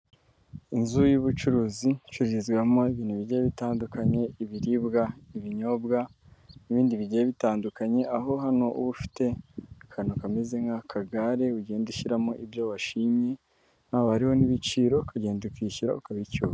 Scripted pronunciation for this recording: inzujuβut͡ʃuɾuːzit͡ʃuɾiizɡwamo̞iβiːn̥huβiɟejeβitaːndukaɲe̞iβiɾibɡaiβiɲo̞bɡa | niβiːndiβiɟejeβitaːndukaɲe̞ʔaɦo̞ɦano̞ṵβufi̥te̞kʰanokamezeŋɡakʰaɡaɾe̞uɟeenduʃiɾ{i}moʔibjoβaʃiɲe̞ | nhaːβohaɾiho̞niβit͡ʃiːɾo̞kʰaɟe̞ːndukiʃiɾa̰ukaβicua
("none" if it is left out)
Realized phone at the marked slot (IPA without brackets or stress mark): a